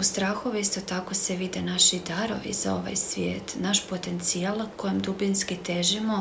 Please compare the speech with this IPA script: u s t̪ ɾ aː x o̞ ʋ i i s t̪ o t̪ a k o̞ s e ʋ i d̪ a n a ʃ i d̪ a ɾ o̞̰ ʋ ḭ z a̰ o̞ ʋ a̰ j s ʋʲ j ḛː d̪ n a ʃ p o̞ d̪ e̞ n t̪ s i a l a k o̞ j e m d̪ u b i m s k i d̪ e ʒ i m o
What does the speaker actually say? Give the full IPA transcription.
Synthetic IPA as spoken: u s t̪ ɾ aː x o̞ ʋ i i s t̪ o t̪ a k o̞ s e ʋ i d̪ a n a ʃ i d̪ a ɾ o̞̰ ʋ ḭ z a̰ o̞ ʋ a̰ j s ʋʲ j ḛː t̪ n a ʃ p o̞ t̪ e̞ n t̪ s i a l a k o̞ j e m d̪ u b i n s k i t̪ e ʒ i m o